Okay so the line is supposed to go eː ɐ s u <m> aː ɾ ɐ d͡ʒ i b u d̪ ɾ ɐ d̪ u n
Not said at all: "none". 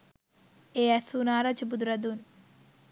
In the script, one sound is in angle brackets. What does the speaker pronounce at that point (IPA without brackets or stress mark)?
n